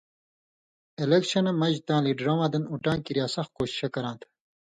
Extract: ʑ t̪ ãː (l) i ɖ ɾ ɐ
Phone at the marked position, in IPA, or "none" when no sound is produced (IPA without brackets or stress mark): l